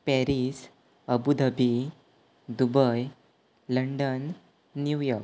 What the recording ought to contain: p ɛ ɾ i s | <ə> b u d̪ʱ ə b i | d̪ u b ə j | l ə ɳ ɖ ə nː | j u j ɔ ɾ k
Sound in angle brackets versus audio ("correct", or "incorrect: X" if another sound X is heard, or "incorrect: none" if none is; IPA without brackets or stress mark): correct